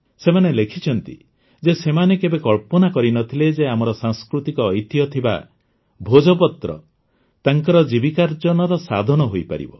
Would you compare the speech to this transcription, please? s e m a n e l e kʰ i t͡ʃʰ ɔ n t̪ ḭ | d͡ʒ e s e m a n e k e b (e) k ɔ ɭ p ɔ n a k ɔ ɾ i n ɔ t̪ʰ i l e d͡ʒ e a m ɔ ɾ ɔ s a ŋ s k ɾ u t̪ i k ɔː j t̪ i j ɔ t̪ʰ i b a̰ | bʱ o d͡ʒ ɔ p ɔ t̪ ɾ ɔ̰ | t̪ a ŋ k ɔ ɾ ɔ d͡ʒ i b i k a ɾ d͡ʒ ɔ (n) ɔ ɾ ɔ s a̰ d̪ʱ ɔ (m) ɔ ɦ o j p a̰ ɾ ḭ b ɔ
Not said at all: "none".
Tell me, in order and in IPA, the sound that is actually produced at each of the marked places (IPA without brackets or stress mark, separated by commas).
e, n, n